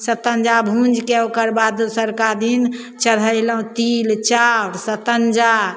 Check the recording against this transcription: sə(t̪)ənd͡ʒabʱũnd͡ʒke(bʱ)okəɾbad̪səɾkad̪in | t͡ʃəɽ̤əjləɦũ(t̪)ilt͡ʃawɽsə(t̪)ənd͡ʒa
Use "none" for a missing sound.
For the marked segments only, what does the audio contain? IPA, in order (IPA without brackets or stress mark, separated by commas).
t̪, none, t̪, t̪